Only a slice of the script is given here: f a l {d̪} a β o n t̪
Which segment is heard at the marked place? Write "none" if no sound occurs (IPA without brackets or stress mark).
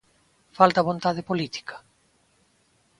t̪